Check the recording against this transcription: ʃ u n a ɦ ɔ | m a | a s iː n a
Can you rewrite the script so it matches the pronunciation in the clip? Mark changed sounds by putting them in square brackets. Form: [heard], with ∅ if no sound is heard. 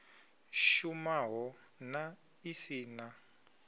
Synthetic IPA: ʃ u [m] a ɦ ɔ | [n] a | [i] s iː n a

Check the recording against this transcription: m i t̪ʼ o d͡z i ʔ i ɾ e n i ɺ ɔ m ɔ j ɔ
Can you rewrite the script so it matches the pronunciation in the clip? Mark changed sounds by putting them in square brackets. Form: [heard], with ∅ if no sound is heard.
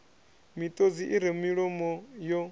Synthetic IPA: m i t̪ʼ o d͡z i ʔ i ɾ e [m] i ɺ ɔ m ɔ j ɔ

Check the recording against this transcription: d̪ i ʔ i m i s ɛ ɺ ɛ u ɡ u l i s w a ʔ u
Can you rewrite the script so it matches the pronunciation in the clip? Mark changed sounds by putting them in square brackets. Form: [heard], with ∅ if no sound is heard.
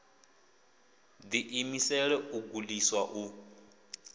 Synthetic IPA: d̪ i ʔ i m i s ɛ ɺ ɛ u ɡ u l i s w a ʔ u

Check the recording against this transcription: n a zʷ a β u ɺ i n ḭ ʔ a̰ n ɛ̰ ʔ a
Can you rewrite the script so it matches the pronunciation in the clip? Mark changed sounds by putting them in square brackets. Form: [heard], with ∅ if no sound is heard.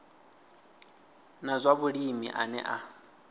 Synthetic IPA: n a zʷ a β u ɺ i [m] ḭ ʔ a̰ n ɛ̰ ʔ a

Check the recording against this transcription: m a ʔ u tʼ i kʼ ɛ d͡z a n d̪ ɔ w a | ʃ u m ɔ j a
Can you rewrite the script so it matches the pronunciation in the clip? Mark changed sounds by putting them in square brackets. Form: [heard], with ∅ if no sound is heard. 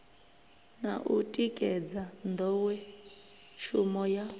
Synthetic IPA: [n] a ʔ u tʼ i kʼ ɛ d͡z a n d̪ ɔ w [ɛ] | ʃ u m ɔ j a

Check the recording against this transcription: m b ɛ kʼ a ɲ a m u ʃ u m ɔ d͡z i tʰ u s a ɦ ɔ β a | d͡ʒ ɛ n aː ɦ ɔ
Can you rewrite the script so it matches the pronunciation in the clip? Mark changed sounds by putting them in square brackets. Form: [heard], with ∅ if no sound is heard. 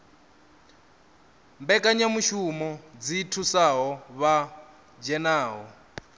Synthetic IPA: m b ɛ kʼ a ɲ a m u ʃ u m ɔ d͡z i tʰ u s a ɦ ɔ β a | d͡ʒ ɛ n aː ɦ ɔ

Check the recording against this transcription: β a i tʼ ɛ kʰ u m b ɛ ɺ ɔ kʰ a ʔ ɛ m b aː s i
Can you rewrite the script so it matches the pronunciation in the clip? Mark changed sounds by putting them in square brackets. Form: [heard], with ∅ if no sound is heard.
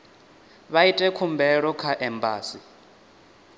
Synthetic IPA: β a i tʼ ɛ kʰ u m b ɛ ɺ ɔ kʰ a ʔ ɛ m b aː s i

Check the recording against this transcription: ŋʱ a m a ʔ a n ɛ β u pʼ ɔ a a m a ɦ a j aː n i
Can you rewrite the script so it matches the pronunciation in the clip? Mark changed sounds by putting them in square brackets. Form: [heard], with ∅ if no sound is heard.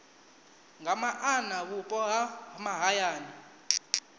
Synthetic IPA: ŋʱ a m a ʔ a n [a] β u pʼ ɔ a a m a ɦ a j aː n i

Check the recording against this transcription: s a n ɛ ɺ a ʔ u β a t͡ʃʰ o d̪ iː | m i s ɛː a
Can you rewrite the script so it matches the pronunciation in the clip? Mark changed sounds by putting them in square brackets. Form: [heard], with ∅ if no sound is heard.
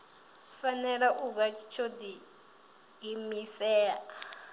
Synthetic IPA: [f] a n ɛ ɺ a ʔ u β a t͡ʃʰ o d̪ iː | m i s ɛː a

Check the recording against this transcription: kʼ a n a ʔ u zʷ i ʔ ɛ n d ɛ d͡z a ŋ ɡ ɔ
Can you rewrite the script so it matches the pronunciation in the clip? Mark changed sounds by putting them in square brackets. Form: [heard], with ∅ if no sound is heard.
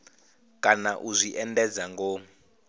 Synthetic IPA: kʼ a n a ʔ u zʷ i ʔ ɛ n d ɛ d͡z a ŋ ɡ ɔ

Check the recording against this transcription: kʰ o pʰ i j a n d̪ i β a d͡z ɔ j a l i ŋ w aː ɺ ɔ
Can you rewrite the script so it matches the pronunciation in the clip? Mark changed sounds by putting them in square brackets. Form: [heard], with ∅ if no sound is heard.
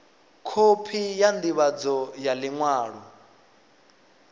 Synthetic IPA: kʰ o pʰ i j a n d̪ i β a d͡z ɔ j a l i ŋ w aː ɺ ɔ

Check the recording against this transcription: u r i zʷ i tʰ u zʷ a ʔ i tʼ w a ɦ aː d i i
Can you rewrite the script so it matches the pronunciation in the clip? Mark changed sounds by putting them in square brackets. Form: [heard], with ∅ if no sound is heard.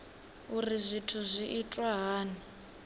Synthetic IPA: u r i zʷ i tʰ u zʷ [i] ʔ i tʼ w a ɦ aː [n] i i

